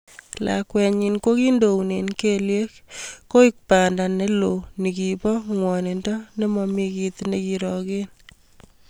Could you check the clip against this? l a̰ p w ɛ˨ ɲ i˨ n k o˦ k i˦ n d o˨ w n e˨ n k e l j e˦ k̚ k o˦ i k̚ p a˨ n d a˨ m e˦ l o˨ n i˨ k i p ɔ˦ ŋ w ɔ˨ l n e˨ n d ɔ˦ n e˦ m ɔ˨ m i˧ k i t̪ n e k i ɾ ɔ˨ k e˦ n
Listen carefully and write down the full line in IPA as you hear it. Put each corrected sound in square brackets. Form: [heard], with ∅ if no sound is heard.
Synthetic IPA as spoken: l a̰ [k] w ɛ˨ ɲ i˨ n k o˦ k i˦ n d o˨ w n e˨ n k e l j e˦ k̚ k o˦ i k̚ p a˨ n d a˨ [n] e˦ l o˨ n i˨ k i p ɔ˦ ŋ w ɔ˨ [∅] n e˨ n d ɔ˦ n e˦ m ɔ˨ m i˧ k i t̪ n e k i ɾ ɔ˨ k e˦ n